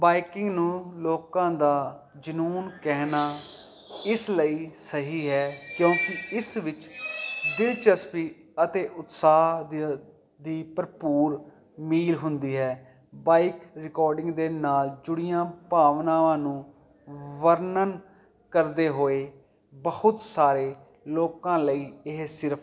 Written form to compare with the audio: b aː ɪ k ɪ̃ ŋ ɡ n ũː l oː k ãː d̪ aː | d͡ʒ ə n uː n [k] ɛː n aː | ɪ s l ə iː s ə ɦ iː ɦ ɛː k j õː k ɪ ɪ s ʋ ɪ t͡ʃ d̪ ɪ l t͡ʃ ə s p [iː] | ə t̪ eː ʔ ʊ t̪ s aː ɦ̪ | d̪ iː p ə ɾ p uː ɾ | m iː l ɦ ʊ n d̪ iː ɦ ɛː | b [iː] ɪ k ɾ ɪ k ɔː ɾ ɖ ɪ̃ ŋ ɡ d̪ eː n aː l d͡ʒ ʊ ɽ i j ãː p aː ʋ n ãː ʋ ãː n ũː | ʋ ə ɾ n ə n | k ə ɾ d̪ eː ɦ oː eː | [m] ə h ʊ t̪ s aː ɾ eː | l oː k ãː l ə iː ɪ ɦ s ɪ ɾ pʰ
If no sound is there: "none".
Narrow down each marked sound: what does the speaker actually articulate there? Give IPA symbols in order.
k, iː, aː, b

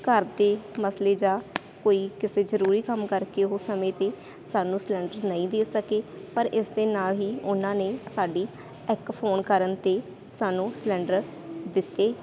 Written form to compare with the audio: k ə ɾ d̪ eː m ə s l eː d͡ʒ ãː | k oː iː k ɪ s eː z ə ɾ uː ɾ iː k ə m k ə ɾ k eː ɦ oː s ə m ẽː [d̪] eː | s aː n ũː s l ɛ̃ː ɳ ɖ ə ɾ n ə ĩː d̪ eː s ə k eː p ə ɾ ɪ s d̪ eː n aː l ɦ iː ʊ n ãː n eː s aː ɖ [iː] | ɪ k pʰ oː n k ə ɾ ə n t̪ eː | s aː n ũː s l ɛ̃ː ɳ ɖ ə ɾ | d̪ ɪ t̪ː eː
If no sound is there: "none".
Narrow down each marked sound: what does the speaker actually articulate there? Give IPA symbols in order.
t̪, iː

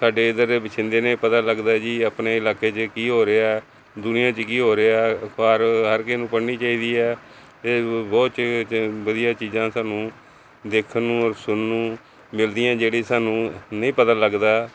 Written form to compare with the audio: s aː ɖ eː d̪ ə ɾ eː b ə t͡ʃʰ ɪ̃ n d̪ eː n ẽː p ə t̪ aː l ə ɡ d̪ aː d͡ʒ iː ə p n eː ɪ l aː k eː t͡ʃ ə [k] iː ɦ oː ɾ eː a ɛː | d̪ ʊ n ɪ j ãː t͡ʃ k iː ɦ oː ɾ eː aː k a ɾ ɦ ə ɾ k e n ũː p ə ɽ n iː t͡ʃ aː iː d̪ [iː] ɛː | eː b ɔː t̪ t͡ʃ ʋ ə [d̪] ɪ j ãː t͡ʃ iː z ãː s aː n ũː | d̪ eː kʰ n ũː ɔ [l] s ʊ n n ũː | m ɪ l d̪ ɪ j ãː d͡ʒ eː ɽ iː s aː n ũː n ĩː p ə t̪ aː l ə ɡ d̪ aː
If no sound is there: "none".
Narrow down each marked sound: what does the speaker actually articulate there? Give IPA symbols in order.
k, iː, d̪, ɾ

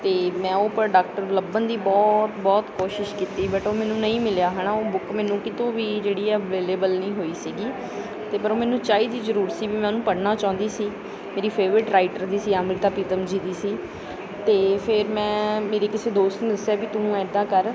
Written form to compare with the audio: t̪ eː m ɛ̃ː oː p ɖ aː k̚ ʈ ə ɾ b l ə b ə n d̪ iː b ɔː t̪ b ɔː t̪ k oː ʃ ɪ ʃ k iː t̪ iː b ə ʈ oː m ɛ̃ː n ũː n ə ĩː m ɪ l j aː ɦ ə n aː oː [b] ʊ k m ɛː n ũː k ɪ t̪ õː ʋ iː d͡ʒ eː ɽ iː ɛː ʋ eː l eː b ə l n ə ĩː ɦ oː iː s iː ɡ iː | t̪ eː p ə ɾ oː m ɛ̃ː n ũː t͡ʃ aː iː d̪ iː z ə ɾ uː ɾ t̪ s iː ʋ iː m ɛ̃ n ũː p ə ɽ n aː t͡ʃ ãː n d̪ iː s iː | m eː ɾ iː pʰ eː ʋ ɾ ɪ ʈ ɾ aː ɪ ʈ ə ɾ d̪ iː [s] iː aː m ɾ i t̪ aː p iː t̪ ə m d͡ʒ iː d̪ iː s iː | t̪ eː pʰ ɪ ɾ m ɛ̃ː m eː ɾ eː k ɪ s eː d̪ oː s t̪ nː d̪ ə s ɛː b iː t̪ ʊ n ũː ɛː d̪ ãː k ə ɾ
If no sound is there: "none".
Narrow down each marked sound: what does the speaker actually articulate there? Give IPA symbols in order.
b, s

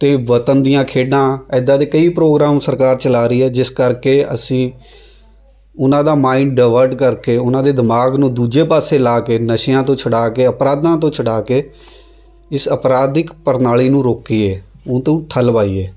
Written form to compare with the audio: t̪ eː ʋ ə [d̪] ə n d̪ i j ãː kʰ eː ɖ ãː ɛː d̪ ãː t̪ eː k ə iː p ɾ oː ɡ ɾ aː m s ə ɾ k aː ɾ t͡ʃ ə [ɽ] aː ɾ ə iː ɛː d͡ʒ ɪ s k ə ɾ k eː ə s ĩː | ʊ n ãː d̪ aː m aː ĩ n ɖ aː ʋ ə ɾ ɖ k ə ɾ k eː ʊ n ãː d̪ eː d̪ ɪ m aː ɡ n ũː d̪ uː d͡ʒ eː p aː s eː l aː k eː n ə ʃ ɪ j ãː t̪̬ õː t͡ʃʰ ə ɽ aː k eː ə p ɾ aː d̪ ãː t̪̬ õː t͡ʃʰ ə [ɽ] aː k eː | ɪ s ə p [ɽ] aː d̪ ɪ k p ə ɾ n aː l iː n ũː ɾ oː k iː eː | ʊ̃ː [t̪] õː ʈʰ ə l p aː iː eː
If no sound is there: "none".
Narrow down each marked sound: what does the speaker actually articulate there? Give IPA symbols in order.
t̪, l, ɽ, ɾ, t̪

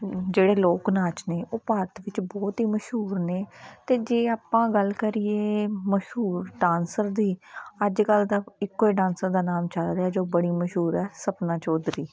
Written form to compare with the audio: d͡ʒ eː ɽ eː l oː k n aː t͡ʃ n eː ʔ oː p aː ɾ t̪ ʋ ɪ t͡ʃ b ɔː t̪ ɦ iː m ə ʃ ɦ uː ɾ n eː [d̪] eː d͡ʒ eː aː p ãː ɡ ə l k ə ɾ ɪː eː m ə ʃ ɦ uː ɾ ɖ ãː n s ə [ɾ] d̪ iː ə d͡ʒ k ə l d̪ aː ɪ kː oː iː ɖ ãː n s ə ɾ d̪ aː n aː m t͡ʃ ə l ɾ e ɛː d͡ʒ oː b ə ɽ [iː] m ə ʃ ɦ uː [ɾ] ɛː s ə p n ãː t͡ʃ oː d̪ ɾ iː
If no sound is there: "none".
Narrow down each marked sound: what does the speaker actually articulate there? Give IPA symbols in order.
t̪, ɾ, iː, ɾ

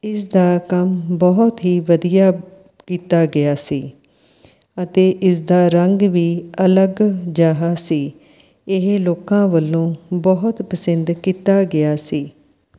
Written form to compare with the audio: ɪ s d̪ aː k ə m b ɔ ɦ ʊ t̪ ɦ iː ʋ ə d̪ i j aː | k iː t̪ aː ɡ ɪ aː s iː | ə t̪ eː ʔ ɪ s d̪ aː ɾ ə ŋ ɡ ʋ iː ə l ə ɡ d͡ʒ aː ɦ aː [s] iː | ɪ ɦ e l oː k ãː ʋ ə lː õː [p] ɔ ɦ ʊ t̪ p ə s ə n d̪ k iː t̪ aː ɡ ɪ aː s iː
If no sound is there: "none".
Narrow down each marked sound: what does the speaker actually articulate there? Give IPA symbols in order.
s, b

